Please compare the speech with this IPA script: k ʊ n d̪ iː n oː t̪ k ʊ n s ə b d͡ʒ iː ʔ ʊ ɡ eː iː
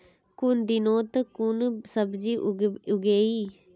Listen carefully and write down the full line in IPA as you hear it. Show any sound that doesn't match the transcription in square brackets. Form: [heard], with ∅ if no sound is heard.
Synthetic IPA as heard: k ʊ n d̪ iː n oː t̪ k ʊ n s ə b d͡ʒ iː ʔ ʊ ɡ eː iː